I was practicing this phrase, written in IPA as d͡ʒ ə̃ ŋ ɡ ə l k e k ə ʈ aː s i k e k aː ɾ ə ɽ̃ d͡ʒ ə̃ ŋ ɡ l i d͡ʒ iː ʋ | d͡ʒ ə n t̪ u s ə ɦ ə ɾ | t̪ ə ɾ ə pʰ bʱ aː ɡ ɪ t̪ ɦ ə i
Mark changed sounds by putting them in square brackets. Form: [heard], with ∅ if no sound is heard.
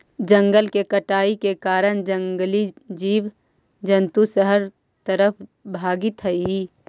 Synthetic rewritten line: d͡ʒ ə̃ ŋ ɡ ə l k e k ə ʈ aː [∅] i k e k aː ɾ ə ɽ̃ d͡ʒ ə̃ ŋ ɡ l i d͡ʒ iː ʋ | d͡ʒ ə n t̪ u s ə ɦ ə ɾ | t̪ ə ɾ ə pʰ bʱ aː ɡ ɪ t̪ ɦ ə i